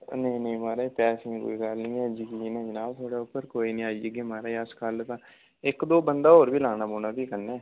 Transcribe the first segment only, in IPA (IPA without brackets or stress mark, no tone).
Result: n